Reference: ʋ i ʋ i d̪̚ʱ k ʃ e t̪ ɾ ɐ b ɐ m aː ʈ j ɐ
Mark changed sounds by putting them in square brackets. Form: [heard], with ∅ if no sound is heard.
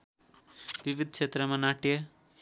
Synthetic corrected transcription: ʋ i ʋ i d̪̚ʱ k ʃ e t̪ ɾ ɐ [m] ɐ [n] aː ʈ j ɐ